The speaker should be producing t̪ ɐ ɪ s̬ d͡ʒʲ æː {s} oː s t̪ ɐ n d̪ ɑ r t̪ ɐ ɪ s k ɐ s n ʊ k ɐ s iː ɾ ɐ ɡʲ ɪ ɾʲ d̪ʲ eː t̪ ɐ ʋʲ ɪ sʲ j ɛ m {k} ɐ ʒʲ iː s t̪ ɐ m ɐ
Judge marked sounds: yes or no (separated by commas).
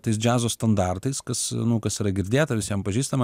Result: no, no